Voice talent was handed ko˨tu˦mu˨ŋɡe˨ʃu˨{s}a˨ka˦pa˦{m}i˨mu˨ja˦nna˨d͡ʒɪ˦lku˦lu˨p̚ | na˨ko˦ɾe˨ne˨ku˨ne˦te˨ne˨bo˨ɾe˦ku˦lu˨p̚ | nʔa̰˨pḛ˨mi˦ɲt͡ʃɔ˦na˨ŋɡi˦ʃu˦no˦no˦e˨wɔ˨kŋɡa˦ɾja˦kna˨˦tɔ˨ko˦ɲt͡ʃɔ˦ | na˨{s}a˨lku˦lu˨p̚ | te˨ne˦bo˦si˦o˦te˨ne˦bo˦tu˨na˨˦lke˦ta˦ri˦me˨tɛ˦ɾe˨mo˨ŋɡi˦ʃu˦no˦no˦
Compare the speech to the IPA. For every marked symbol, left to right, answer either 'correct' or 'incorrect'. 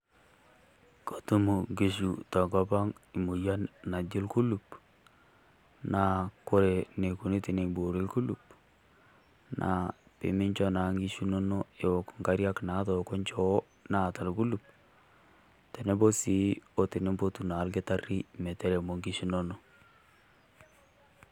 incorrect, incorrect, incorrect

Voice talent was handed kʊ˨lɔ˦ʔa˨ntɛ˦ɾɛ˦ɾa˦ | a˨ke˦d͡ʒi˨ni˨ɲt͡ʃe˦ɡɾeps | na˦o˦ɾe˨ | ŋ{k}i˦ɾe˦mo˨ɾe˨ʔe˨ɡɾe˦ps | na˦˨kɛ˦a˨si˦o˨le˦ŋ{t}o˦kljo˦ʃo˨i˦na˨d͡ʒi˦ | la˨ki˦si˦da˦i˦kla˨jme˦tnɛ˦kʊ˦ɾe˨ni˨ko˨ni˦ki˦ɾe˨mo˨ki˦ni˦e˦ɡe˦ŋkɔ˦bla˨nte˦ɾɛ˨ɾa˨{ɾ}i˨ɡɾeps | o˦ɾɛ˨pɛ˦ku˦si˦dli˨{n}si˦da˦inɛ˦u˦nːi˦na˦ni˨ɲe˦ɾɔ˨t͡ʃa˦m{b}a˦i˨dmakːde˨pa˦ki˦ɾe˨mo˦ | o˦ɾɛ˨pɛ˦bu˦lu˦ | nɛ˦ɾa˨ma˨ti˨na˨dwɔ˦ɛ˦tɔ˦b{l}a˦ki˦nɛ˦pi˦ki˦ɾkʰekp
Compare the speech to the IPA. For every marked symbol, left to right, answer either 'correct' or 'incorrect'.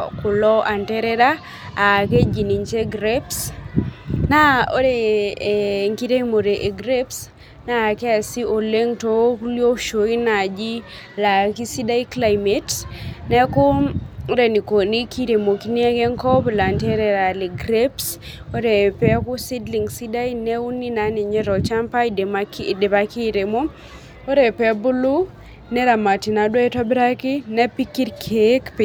correct, correct, incorrect, incorrect, incorrect, incorrect

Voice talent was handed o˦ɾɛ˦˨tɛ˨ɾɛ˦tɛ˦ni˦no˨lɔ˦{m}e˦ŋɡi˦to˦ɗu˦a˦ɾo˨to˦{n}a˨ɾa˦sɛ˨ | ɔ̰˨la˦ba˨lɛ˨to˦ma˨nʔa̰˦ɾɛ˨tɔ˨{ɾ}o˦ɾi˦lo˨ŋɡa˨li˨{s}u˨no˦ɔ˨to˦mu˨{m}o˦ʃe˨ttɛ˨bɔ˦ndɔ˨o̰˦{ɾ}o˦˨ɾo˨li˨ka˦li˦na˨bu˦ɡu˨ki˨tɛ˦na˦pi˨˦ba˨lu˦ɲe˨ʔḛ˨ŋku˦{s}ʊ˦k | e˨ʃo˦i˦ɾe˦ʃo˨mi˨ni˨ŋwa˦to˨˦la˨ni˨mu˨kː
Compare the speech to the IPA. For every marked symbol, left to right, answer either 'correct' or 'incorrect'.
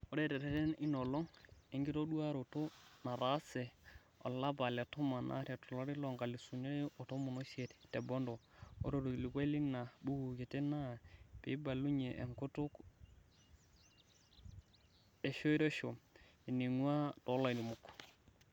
incorrect, correct, incorrect, correct, incorrect, correct, incorrect

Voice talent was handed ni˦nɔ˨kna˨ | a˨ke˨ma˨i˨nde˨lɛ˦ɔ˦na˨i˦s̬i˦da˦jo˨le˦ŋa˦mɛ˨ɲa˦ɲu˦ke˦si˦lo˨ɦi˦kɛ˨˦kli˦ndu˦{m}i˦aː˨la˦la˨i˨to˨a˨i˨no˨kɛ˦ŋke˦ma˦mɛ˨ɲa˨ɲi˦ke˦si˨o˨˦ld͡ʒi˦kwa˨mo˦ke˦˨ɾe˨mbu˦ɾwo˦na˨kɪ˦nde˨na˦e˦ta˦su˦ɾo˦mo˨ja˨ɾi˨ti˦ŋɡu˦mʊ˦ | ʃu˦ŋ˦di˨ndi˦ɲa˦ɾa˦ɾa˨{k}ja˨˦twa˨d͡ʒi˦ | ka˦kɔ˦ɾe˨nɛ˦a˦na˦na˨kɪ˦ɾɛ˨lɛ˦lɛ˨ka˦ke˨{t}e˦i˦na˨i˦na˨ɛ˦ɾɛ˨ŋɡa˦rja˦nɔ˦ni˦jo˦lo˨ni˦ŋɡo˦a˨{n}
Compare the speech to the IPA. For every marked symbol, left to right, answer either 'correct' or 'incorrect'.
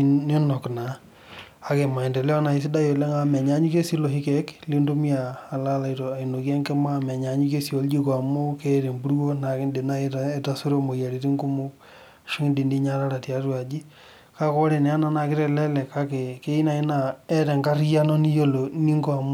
correct, incorrect, incorrect, incorrect

